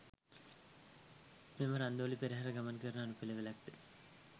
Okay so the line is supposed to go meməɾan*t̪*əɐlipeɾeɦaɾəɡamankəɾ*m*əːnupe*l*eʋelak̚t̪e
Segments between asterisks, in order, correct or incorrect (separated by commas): incorrect, incorrect, correct